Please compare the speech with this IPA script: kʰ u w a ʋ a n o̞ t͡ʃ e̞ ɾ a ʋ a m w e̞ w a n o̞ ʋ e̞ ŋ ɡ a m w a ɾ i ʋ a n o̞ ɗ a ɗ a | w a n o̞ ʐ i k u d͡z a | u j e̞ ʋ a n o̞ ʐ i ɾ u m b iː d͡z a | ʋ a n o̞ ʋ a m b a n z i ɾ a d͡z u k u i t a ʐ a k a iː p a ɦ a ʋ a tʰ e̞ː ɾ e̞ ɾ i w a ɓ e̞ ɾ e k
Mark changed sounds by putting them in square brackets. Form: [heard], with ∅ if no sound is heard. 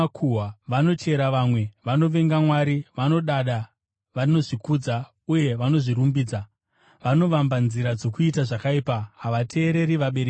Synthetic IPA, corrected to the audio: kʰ u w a ʋ a n o̞ t͡ʃ e̞ ɾ a ʋ a m w e̞ [ʋ] a n o̞ ʋ e̞ ŋ ɡ a m w a ɾ i ʋ a n o̞ ɗ a ɗ a | [ʋ] a n o̞ ʐ i k u d͡z a | u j e̞ ʋ a n o̞ ʐ i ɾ u m b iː d͡z a | ʋ a n o̞ ʋ a m b a n z i ɾ a d͡z [o] k u i t a ʐ a k a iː p a ɦ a ʋ a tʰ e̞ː ɾ e̞ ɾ i [ʋ] a ɓ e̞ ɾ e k